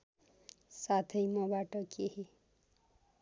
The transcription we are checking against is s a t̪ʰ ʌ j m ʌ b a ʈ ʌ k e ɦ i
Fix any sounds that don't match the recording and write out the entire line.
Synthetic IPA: s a t̪ʰ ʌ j m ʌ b a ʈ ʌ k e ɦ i